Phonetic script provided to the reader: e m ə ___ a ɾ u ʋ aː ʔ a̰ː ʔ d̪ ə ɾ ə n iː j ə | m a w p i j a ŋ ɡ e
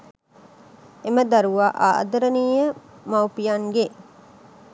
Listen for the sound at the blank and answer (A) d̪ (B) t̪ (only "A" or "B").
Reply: A